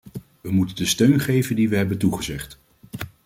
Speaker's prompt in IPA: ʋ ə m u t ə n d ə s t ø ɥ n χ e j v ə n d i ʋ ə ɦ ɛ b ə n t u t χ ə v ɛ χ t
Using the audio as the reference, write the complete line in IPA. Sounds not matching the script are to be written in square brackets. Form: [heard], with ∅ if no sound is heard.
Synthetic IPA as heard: ʋ ə m u t ə n d ə s t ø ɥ n χ e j v ə n d i ʋ ə ɦ ɛ b ə n t u [∅] χ ə [z] ɛ χ t